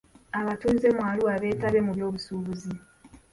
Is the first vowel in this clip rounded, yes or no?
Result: no